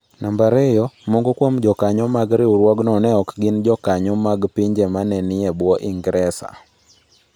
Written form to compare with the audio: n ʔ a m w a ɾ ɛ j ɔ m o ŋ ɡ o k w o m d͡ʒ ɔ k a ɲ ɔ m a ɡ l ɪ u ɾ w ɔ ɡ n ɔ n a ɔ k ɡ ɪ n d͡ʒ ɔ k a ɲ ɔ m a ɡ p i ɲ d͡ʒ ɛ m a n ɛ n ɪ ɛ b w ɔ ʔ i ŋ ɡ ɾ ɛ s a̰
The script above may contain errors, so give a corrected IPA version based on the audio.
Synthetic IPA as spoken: n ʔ a m b a ɾ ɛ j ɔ m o ŋ ɡ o k w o m d͡ʒ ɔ k a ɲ ɔ m a ɡ ɾ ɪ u ɾ w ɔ ɡ n ɔ n ɛ ɔ k ɡ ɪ n d͡ʒ ɔ k a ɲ ɔ m a ɡ p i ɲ d͡ʒ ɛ m a n ɛ n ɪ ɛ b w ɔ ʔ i ŋ ɡ ɾ ɛ s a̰